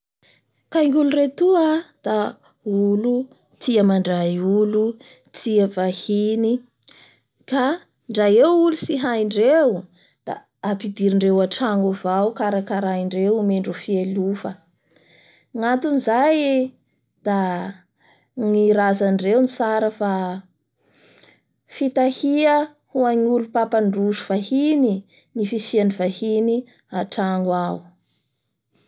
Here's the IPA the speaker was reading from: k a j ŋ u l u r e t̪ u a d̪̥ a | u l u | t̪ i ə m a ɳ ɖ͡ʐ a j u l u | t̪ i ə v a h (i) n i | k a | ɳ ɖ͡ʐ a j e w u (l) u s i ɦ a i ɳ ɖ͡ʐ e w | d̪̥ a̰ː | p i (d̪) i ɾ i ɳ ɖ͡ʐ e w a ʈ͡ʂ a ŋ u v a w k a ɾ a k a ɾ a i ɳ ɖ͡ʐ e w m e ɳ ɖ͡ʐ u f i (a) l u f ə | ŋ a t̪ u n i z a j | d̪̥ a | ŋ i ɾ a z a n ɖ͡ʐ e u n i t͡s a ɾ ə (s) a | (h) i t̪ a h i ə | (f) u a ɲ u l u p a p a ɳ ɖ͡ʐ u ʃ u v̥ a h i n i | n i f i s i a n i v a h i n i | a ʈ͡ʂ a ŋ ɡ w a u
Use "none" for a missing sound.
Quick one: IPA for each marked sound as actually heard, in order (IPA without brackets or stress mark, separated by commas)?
i, l, d̪, e, f, f, h